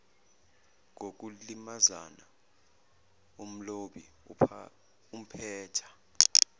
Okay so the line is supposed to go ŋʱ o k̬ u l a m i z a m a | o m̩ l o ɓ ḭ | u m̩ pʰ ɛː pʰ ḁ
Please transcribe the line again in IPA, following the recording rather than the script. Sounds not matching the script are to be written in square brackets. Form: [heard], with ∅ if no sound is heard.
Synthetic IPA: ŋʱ o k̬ u l [i] m [a] z a [n] a | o m̩ l o ɓ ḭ | u m̩ pʰ ɛː [tʰ] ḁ